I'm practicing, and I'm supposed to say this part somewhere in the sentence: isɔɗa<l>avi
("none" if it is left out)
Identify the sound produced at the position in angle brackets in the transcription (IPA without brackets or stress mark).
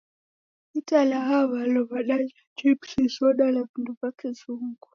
l